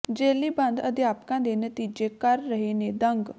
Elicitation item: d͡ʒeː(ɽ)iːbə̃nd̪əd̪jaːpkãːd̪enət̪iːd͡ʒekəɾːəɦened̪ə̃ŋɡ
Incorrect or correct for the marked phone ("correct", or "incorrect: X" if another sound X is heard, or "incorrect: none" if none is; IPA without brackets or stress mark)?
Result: incorrect: l